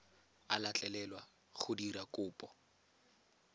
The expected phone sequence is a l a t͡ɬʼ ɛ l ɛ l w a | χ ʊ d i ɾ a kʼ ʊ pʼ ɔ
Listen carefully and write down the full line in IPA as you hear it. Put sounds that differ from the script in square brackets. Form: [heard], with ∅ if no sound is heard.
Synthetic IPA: a l a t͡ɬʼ ɛ l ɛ l w a | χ ʊ d i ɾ a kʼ [ʊː] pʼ ɔ